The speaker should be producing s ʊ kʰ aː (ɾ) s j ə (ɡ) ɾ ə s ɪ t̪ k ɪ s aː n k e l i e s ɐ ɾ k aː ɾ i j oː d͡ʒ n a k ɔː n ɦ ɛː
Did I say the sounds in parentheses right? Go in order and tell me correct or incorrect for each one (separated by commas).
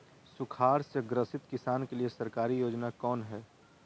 correct, correct